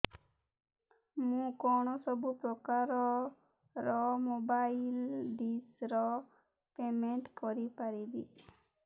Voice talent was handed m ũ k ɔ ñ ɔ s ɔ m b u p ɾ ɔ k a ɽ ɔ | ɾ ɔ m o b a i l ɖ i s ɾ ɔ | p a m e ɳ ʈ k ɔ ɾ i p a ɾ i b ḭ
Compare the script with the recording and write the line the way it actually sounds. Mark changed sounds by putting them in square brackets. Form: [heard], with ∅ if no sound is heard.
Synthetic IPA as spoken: m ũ k ɔ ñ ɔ s ɔ [∅] b u p ɾ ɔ k a [ɾ] ɔ | ɾ ɔ m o b a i l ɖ i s ɾ ɔ | p [e] m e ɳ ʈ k ɔ ɾ i p a ɾ i b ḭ